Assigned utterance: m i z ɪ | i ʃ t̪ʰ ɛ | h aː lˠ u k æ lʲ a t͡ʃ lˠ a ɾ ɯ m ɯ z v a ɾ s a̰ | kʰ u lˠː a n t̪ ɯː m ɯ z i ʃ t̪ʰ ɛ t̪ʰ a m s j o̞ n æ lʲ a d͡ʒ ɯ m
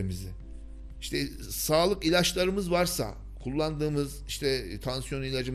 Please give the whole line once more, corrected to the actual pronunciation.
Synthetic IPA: m i z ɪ | i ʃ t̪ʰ ɛ | s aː lˠ ɯ k i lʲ a t͡ʃ lˠ a ɾ ɯ m ɯ z v a ɾ s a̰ | kʰ u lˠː a n d̪ ɯː m ɯ z i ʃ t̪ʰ ɛ t̪ʰ a n s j o̞ n i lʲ a d͡ʒ ɯ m